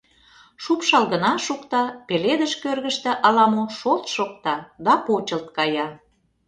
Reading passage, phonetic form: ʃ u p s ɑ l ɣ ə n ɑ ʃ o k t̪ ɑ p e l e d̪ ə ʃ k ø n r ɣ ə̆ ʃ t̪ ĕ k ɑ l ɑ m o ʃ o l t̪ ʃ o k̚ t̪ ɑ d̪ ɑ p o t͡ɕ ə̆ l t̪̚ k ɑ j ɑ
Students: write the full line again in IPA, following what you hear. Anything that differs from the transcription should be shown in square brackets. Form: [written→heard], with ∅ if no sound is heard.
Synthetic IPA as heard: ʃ u p [s→ʃ] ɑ l ɣ ə n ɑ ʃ [o→u] k t̪ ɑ p e l e d̪ ə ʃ k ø [n→∅] r ɣ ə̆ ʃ t̪ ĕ [k→ʔ] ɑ l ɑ m o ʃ o l t̪ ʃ o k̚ t̪ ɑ d̪ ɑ p o t͡ɕ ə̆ l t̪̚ k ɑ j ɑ